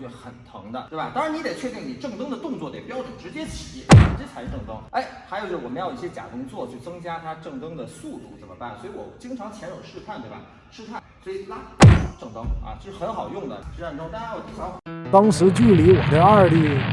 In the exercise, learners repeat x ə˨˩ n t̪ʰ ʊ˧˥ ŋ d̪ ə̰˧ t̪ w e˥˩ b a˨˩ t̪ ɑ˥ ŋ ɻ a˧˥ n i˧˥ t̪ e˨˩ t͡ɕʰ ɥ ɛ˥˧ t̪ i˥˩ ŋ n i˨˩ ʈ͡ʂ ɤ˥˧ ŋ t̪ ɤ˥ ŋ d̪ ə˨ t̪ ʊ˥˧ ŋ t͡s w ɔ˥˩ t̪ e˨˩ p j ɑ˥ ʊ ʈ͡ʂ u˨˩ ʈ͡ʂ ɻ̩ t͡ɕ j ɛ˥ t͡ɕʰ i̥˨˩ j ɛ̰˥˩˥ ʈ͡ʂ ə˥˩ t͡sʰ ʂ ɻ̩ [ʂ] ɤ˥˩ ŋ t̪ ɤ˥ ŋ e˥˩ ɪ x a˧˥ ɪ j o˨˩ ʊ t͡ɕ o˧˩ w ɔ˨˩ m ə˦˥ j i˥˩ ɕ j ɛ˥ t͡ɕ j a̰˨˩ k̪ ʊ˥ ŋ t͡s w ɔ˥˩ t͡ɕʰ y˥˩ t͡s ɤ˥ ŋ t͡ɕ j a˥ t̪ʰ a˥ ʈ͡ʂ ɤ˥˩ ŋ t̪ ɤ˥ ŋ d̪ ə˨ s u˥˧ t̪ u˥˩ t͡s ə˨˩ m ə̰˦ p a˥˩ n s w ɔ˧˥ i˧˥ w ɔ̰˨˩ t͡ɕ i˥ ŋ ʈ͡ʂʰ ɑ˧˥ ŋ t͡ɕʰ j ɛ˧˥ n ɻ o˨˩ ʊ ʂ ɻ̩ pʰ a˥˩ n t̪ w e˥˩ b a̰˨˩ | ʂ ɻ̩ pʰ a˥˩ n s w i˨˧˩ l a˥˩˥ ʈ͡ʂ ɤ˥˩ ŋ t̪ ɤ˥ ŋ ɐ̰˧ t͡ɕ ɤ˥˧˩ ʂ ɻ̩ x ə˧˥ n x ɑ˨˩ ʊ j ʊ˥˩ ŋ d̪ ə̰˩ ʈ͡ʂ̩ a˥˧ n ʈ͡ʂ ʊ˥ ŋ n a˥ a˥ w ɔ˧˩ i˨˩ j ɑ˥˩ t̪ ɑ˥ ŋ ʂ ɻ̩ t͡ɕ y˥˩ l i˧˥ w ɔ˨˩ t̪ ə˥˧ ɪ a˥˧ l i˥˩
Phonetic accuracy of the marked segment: incorrect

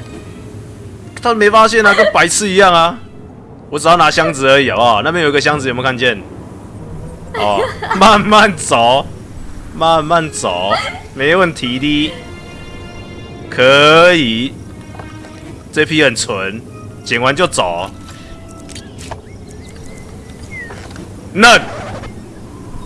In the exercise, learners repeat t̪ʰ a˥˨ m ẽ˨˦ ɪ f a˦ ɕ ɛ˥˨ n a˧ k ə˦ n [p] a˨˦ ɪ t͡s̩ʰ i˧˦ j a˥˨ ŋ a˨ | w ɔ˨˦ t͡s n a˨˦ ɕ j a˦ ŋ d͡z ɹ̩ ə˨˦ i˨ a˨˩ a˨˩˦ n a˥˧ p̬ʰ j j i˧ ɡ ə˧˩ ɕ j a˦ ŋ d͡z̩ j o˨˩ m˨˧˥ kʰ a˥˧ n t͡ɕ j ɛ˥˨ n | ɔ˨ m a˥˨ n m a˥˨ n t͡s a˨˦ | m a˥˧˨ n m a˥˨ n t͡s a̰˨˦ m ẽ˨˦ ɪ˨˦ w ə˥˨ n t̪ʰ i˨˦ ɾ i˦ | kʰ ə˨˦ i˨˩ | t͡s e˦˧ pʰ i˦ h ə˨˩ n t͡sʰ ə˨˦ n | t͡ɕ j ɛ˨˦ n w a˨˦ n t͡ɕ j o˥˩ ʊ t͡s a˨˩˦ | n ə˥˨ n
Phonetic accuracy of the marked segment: correct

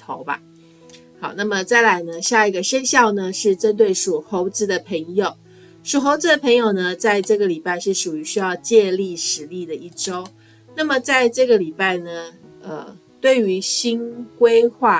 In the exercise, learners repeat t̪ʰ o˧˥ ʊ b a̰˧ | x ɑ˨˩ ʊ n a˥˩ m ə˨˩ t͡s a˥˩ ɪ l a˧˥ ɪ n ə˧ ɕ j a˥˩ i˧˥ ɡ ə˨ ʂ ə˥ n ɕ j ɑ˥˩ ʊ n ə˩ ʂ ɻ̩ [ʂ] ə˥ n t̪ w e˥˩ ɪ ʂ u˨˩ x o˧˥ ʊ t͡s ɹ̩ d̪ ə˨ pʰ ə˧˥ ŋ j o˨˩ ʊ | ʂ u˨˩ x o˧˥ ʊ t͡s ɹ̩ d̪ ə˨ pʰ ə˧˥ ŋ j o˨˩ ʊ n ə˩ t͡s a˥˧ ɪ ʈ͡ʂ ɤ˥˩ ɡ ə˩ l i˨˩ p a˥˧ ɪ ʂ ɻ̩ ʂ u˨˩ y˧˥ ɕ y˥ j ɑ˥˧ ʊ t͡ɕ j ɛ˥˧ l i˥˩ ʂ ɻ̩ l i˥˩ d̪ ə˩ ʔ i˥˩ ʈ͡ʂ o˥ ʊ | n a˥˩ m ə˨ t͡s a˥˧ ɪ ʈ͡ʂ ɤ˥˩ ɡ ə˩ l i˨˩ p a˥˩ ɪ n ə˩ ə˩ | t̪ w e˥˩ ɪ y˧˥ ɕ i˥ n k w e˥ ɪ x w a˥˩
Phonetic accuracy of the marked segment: incorrect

